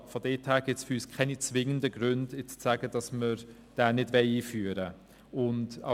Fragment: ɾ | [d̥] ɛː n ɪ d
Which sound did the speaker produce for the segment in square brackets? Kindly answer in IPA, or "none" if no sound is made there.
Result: d̥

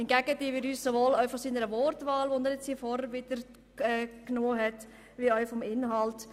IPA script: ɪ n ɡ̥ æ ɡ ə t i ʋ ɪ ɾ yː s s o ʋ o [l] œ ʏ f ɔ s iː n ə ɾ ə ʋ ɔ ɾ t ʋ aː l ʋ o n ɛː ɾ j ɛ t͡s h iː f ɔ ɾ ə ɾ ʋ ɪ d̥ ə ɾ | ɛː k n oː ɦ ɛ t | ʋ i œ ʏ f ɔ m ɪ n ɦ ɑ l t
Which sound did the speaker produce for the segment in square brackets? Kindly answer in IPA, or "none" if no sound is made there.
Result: l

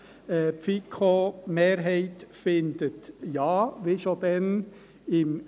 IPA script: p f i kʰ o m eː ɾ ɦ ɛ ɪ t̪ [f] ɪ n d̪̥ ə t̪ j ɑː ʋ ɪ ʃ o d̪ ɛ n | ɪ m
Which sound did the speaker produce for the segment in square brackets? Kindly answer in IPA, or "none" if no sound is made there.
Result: f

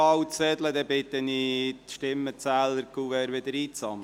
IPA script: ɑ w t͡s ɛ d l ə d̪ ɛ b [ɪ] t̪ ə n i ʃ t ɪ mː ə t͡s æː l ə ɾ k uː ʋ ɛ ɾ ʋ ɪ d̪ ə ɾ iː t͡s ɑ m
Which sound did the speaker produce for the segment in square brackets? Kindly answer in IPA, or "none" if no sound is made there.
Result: ɪ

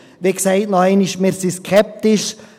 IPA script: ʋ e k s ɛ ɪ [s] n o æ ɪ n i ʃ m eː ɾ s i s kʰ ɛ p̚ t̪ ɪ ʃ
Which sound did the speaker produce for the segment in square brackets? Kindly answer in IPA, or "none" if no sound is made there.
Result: t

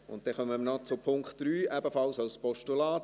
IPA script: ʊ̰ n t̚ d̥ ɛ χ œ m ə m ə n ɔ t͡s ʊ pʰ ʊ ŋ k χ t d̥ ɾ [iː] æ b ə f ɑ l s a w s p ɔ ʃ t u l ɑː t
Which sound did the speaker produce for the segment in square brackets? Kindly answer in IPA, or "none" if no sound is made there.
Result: yː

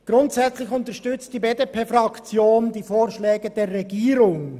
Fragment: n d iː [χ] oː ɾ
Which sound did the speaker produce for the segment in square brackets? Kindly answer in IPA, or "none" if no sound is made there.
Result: f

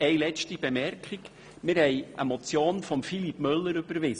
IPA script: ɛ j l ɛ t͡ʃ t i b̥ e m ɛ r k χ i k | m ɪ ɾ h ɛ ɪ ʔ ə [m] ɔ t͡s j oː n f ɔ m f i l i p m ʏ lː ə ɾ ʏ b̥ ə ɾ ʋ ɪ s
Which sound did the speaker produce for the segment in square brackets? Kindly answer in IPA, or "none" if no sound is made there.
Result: m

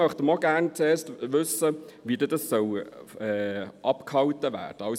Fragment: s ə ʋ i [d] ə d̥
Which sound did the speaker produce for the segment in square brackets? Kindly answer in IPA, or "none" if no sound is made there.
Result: d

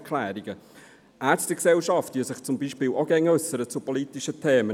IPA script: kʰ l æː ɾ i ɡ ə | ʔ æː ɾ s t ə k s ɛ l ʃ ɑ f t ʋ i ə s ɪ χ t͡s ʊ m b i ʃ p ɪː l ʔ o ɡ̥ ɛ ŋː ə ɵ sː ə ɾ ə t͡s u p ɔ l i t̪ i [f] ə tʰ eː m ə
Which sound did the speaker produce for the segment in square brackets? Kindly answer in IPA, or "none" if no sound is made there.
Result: ʃ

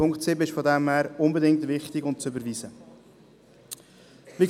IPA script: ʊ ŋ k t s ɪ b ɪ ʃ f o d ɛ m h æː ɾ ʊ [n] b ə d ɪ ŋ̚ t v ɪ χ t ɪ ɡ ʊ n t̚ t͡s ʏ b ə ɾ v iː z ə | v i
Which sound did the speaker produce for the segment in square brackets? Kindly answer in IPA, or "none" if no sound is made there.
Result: n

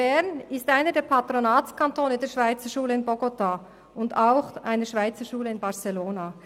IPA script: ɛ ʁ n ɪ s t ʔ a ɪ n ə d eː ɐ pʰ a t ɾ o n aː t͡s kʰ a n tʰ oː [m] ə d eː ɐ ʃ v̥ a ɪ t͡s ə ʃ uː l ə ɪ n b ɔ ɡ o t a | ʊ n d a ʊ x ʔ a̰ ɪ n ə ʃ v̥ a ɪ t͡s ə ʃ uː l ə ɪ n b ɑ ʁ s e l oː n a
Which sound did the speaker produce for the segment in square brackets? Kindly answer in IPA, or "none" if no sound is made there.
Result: n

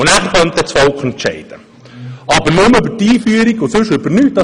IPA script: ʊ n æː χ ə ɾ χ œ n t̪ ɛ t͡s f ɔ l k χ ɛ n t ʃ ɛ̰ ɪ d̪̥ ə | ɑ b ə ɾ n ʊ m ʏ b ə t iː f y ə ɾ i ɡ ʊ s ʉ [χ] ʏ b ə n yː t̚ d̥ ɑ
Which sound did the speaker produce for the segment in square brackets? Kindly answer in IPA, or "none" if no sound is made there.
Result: ʃ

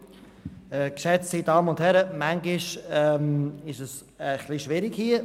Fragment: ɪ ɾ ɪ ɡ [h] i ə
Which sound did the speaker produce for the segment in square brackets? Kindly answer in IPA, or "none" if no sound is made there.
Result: h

